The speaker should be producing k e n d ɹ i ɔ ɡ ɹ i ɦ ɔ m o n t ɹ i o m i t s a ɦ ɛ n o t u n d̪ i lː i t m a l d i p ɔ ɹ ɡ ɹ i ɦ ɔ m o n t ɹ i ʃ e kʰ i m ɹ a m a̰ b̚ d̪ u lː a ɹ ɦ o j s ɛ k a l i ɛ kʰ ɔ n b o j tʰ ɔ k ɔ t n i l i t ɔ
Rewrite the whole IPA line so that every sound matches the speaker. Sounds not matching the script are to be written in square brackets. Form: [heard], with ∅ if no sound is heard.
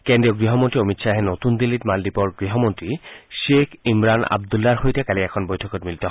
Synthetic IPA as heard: k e n d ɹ i ɔ ɡ ɹ i ɦ ɔ m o n t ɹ i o m i t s a ɦ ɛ n o t u n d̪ i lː i t m a l d i p ɔ ɹ ɡ ɹ i ɦ ɔ m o n t ɹ i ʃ e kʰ i m ɹ a [n] a̰ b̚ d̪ u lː a ɹ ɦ o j [t] ɛ k a l i ɛ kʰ ɔ n b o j tʰ ɔ k ɔ t [m] i l i t ɔ